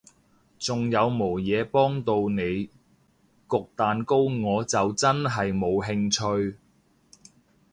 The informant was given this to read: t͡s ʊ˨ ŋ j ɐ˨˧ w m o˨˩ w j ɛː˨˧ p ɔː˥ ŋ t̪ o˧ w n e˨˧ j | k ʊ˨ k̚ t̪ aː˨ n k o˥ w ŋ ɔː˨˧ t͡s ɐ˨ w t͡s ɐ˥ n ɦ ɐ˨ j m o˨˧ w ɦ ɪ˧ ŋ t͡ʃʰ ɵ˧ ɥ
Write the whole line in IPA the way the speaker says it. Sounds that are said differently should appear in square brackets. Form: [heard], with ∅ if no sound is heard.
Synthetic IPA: t͡s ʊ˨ ŋ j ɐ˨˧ w m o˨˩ w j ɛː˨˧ p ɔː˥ ŋ t̪ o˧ w n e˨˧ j | k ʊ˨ k̚ t̪ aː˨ n k o˥ w ŋ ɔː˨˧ t͡s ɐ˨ w t͡s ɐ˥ n ɦ ɐ˨ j m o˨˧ w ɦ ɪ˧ ŋ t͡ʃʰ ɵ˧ ɥ

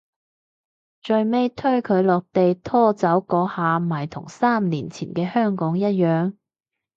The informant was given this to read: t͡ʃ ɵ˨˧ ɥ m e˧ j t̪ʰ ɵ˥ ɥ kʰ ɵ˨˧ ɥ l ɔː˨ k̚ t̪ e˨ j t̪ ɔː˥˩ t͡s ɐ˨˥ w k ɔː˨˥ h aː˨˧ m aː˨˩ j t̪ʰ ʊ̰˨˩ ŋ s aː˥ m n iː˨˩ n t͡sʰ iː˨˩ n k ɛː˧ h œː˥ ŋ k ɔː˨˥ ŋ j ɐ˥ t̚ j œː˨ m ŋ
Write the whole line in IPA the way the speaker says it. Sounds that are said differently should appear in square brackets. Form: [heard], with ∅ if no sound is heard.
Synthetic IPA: t͡ʃ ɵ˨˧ ɥ m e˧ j t̪ʰ ɵ˥ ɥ kʰ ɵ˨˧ ɥ l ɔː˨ k̚ t̪ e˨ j [t̪ʰ] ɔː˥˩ t͡s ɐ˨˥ w k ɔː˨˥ h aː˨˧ m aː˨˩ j t̪ʰ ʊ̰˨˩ ŋ s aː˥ m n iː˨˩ n t͡sʰ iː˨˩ n k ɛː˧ h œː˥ ŋ k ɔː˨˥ ŋ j ɐ˥ t̚ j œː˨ [∅] ŋ

